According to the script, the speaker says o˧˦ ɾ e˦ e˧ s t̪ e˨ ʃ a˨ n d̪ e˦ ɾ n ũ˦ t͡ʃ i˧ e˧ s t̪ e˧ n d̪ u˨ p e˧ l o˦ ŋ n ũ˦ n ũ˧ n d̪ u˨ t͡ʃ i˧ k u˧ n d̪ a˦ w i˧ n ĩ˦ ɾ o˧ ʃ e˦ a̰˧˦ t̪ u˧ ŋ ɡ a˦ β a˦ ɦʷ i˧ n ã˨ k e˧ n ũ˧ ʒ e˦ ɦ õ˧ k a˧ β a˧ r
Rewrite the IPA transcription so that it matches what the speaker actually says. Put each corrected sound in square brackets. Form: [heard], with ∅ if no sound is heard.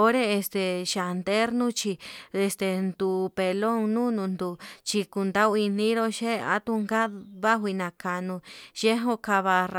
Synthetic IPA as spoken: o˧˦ ɾ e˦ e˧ s t̪ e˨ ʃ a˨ n d̪ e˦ ɾ n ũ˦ t͡ʃ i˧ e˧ s t̪ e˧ n d̪ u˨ p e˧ l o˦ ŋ n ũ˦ n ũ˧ n d̪ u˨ t͡ʃ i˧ k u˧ n d̪ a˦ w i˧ n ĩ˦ ɾ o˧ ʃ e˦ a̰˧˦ t̪ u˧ ŋ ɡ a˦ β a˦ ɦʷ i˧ n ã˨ k [a˧] n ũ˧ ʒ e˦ ɦ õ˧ k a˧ β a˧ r